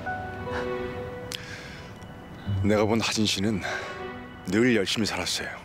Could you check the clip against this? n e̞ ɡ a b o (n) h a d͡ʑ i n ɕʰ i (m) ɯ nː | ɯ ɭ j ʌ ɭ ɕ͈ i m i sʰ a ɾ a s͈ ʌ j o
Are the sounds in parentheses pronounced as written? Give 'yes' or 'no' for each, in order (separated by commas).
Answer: yes, no